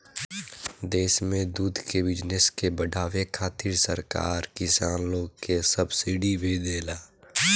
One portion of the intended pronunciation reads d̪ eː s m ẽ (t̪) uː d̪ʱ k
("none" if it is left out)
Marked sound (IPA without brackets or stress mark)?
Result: d̪